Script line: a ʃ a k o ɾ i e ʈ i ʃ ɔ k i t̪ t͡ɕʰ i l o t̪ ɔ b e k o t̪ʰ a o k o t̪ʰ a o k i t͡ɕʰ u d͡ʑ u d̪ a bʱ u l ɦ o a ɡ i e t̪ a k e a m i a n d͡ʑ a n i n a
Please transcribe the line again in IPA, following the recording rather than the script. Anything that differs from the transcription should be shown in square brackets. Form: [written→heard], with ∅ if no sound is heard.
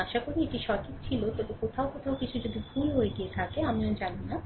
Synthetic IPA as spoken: a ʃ a k o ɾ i e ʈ i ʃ ɔ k i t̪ t͡ɕʰ i l o t̪ ɔ b e k o t̪ʰ a o k o t̪ʰ a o k i t͡ɕʰ u d͡ʑ [u→o] d̪ [a→i] bʱ u l ɦ o [a→e] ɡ i e [t̪→t̪ʰ] a k e a m i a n d͡ʑ a n i n a